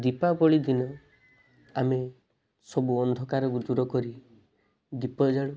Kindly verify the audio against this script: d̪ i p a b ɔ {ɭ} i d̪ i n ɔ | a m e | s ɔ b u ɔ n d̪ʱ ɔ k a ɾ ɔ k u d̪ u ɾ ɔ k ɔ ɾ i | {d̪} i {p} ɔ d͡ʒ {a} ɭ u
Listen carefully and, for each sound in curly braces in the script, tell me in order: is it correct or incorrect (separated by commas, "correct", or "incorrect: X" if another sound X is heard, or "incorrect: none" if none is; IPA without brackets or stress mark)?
correct, correct, correct, correct